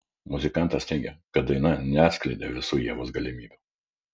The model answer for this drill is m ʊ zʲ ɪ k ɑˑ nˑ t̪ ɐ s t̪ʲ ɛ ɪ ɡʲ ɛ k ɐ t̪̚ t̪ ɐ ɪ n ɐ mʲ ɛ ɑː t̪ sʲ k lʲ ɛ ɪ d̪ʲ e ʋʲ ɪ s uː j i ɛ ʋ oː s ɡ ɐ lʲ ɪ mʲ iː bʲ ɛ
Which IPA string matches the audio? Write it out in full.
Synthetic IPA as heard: m ʊ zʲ ɪ k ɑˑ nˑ t̪ ɐ s t̪ʲ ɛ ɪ ɡʲ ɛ k ɐ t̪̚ d̪ ɐ ɪ n ɐ nʲ ɛ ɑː t̪ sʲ k lʲ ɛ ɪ d̪ʲ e ʋʲ ɪ s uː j i ɛ ʋ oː s ɡ ɐ lʲ ɪ mʲ iː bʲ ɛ

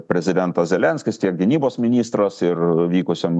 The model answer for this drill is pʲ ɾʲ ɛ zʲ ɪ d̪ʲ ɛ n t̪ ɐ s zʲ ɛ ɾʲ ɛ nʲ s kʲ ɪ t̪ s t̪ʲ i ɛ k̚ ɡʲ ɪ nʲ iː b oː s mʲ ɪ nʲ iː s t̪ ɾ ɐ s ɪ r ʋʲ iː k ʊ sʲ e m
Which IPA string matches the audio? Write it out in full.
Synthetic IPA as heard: pʲ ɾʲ ɛ zʲ ɪ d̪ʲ ɛ n t̪ ɐ s zʲ ɛ lʲ ɛ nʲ s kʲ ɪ s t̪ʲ i ɛ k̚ ɡʲ ɪ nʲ iː b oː s mʲ ɪ nʲ iː s t̪ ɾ ɐ s ɪ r ʋʲ iː k ʊ sʲ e m

